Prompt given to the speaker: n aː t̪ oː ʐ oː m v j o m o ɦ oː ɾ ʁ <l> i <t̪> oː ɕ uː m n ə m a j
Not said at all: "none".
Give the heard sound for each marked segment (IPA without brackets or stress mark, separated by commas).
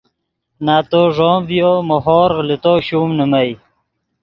l, t̪